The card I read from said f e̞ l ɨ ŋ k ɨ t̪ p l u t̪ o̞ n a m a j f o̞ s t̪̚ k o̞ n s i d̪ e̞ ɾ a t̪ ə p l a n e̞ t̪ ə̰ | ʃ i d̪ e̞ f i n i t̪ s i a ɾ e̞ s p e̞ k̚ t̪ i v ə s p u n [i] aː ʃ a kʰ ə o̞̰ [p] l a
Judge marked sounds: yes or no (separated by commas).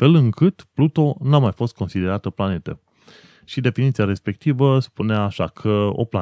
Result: no, yes